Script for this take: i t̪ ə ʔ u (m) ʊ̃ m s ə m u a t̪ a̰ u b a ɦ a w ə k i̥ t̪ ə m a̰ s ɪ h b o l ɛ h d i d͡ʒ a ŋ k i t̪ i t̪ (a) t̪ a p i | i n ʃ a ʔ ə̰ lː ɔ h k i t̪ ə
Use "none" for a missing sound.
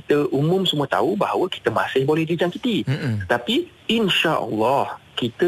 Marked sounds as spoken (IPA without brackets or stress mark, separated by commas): m, ə